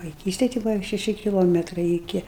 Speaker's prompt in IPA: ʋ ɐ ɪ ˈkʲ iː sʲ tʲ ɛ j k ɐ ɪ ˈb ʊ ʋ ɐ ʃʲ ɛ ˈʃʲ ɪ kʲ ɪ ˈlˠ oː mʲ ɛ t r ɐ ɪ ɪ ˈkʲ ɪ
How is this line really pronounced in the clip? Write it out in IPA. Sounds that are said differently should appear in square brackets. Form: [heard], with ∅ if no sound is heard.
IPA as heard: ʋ ɐ ɪ ˈkʲ iː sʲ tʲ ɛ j [t] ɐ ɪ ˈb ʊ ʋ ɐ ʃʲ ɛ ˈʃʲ ɪ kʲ ɪ ˈlˠ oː mʲ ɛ t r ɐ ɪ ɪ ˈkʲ ɪ